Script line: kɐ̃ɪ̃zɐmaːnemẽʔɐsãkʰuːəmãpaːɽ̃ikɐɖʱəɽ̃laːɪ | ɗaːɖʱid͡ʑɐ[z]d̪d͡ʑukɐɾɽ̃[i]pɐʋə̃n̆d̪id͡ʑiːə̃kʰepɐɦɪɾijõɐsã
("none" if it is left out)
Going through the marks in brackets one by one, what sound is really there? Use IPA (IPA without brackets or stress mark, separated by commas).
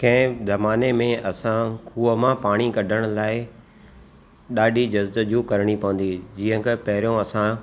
z, i